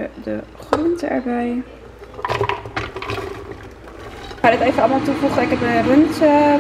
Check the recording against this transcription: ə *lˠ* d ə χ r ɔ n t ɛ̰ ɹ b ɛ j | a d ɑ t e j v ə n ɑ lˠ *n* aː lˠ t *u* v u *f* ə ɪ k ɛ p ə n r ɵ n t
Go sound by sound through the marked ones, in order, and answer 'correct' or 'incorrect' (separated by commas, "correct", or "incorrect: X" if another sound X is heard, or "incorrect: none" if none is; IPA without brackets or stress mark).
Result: incorrect: none, incorrect: m, correct, incorrect: χ